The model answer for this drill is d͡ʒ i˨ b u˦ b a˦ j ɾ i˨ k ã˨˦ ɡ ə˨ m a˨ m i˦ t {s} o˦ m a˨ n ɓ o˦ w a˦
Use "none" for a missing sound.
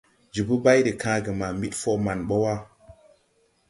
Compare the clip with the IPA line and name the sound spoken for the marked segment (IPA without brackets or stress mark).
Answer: f